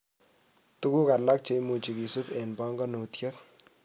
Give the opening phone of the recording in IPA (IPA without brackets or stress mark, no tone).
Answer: t